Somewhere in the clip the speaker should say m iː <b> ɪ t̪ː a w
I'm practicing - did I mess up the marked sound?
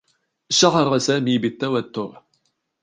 no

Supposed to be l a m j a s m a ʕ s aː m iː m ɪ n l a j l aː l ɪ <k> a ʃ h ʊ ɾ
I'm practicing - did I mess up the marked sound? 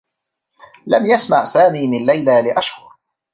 yes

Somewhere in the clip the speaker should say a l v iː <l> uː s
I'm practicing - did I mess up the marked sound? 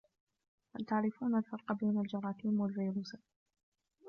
yes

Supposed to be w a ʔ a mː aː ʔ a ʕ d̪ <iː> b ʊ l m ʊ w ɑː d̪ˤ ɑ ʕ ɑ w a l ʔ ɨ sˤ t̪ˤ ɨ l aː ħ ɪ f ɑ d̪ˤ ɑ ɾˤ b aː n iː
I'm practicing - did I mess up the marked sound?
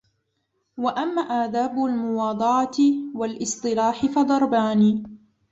yes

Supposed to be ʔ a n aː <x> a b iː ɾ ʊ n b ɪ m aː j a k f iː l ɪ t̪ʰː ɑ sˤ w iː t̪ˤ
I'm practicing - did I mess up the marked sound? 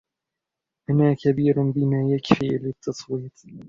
yes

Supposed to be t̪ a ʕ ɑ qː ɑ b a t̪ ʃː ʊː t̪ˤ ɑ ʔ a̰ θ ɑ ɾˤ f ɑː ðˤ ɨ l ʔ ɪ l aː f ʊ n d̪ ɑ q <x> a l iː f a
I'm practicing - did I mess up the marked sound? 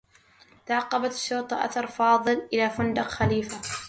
no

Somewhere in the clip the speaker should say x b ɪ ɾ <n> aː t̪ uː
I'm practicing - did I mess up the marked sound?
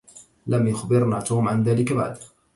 no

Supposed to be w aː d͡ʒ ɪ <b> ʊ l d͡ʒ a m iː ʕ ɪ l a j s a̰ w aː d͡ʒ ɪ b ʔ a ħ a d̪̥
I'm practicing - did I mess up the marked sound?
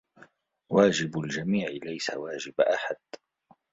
no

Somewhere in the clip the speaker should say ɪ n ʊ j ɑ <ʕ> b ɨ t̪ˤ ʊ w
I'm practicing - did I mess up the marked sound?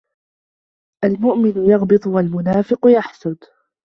yes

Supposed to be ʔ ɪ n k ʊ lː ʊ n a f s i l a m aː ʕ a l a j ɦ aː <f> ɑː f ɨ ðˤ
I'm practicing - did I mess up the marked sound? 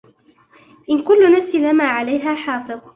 yes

